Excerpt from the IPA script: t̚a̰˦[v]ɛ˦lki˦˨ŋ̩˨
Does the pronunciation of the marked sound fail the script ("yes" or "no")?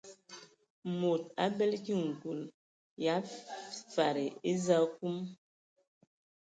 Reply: yes